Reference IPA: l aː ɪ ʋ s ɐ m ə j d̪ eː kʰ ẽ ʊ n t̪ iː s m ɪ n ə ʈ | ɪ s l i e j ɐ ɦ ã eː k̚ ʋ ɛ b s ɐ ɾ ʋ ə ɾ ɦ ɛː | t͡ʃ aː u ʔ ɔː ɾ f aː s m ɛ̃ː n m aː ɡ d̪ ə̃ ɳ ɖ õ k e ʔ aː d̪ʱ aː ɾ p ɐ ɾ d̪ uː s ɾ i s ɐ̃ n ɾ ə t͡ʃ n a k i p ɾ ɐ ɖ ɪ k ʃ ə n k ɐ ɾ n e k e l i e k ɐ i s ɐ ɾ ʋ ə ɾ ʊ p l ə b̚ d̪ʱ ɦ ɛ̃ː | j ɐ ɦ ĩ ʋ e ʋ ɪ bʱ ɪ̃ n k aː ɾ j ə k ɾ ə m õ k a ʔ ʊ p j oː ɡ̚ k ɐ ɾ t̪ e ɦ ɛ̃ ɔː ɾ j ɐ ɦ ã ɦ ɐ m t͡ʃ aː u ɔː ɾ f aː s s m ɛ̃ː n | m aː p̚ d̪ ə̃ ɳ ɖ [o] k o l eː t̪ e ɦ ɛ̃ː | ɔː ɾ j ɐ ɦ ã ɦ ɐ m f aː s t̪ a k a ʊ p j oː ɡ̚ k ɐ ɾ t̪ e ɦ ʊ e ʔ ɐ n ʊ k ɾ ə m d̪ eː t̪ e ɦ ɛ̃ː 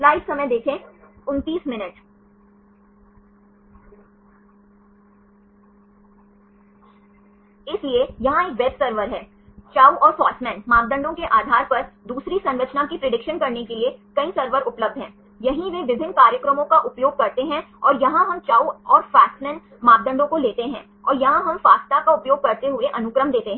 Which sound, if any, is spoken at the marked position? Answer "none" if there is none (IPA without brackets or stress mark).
õ